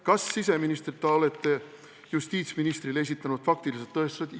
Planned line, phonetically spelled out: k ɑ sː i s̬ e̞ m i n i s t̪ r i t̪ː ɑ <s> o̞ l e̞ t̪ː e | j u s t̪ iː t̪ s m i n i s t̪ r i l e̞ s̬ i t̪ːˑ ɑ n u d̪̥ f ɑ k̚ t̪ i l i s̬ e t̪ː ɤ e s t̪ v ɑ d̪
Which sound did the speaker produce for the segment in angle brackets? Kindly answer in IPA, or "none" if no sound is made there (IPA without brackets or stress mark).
none